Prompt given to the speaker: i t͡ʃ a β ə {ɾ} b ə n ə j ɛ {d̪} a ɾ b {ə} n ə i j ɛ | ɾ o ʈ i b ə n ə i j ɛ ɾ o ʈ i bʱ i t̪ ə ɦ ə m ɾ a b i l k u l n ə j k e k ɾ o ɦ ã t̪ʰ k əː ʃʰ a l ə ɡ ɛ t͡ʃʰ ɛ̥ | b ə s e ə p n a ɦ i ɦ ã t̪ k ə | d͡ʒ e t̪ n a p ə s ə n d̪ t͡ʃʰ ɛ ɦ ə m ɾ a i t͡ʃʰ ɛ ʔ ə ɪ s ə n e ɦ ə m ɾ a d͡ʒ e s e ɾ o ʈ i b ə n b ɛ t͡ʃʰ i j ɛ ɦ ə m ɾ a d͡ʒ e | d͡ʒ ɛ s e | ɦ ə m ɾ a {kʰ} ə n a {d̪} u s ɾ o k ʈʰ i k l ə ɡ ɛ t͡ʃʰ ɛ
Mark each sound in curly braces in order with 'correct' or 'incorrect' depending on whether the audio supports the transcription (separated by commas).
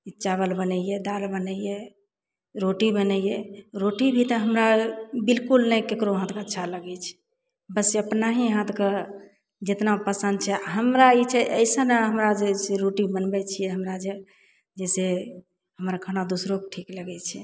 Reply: incorrect, correct, correct, correct, correct